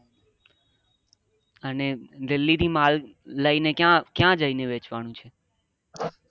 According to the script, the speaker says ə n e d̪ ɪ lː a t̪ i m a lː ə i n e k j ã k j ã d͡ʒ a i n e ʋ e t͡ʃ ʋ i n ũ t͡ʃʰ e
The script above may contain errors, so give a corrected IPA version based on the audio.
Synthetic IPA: ə n e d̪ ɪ lː i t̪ i m a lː ə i n e k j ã k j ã d͡ʒ ə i n e ʋ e t͡ʃ ʋ a n ũ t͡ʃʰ e